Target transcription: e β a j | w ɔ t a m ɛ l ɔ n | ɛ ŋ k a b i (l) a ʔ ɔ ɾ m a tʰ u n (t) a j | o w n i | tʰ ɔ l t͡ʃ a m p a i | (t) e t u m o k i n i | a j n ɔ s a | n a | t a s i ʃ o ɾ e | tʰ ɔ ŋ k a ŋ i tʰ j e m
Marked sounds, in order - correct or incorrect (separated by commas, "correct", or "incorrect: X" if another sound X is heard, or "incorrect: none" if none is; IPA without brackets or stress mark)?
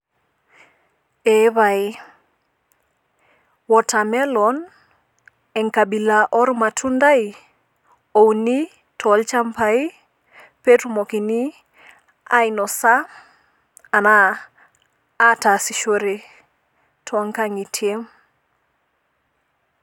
correct, incorrect: d, incorrect: p